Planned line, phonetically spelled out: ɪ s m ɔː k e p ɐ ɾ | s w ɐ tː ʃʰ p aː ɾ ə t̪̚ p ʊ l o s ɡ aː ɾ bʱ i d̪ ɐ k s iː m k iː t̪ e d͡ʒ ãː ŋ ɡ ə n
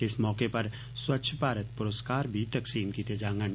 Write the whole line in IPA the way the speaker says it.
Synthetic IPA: ɪ s m ɔː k e p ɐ ɾ | s w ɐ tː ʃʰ p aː ɾ ə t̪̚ p ʊ ɾ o s k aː ɾ bʱ i t̪ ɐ k s iː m k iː t̪ e d͡ʒ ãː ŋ ɡ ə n

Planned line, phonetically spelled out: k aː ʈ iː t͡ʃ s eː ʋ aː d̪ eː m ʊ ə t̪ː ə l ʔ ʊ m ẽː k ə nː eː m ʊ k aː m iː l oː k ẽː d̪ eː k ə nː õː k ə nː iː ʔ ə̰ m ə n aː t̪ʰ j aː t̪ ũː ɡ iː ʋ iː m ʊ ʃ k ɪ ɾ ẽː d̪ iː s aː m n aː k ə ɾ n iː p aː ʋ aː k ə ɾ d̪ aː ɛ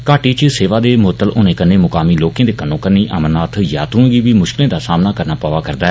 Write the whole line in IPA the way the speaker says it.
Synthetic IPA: k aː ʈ iː t͡ʃ s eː ʋ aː d̪ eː m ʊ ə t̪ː ə l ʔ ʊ n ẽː k ə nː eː m ʊ k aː m iː l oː k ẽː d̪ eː k ə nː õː k ə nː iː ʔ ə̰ m ə n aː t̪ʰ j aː t̪ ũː ɡ iː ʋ iː m ʊ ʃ k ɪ l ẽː d̪ aː s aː m n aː k ə ɾ n aː p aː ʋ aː k ə ɾ d̪ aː ɛ

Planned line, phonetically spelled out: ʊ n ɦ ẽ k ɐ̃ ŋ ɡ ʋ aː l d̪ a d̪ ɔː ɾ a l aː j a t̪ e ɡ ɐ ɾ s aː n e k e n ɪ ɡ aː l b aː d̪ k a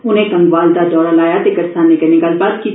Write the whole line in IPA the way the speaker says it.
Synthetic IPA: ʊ n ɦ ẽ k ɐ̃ ŋ ɡ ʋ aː l d̪ a d̪ ɔː ɾ a l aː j a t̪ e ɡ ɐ ɾ s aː n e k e n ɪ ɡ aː l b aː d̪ k i

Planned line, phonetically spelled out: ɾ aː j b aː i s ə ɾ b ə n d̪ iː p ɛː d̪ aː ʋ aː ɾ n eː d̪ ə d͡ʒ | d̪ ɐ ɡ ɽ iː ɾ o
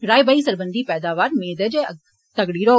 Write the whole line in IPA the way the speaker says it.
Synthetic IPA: ɾ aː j b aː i s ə ɾ b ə n d̪ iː p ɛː d̪ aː ʋ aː ɾ m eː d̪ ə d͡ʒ | t̪ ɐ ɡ ɽ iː ɾ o

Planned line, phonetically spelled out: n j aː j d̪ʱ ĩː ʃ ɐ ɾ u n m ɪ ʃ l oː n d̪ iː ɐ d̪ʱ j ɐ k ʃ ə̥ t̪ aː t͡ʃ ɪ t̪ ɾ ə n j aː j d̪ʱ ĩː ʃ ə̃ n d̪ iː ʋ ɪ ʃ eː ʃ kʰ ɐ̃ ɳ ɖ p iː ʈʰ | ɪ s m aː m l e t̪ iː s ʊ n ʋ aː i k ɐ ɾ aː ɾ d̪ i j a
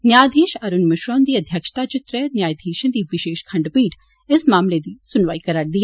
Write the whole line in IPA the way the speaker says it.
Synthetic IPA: n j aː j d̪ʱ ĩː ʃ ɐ ɾ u n m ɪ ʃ ɾ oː n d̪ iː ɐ d̪ʱ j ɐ k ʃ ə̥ t̪ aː t͡ʃ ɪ t̪ ɾ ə n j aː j d̪ʱ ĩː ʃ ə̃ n d̪ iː ʋ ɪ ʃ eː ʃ kʰ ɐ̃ ɳ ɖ p iː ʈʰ | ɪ s m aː m l e d̪ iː s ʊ n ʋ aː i k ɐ ɾ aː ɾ d̪ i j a

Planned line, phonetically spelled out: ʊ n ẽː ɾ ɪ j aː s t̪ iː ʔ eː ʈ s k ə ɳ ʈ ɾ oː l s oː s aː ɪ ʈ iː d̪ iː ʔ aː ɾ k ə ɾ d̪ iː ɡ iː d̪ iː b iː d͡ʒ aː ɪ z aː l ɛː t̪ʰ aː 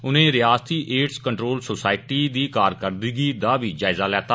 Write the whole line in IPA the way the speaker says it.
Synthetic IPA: ʊ n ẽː ɾ ɪ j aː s t̪ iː ʔ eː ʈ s k ə ɳ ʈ ɾ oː l s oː s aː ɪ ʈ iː d̪ iː k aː ɾ k ə ɾ d̪ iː ɡ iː d̪ aː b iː d͡ʒ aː ɪ z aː l ɛː t̪ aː

